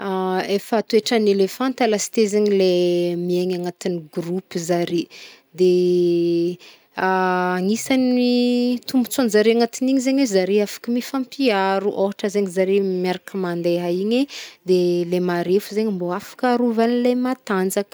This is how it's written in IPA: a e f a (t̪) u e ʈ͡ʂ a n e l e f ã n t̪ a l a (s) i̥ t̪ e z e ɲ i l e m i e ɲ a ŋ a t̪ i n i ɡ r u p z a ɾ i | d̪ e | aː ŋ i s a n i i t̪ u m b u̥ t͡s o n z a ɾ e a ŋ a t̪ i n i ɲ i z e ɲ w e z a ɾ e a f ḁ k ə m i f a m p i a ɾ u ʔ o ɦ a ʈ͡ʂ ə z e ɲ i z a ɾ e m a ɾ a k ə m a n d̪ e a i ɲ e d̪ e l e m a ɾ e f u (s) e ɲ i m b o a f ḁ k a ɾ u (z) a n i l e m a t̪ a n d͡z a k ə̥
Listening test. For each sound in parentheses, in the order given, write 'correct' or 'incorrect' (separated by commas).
correct, correct, incorrect, incorrect